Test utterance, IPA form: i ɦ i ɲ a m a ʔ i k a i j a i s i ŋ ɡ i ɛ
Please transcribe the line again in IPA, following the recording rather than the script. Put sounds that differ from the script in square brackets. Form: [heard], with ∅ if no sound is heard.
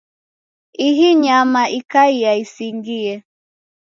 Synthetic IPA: i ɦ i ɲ a m a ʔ i k a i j a i s i ŋ ɡ i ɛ